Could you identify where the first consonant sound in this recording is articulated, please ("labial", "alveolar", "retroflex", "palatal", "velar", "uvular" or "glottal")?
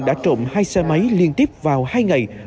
alveolar